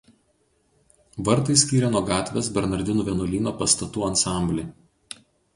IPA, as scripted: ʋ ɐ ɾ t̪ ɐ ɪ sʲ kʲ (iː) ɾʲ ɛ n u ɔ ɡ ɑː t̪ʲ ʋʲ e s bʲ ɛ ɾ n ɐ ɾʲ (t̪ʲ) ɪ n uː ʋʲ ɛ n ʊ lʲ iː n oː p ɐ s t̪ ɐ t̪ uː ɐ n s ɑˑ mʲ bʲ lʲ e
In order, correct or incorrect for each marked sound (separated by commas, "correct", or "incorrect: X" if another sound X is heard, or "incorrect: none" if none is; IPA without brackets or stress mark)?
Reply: correct, incorrect: d̪ʲ